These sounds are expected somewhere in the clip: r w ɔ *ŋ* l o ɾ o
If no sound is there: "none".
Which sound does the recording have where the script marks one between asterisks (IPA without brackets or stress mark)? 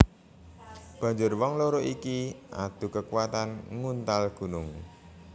ŋ